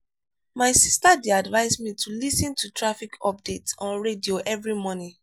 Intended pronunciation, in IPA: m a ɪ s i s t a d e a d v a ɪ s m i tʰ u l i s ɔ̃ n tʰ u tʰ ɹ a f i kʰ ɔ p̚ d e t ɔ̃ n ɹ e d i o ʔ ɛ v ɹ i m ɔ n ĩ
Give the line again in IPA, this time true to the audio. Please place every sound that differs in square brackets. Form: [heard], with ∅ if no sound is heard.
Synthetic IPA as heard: m a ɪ s i s t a d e a d v a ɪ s m i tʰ u l i s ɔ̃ n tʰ u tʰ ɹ a f i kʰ ɔ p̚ d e t ɔ̃ n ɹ e d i o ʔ ɛ v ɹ i m ɔ n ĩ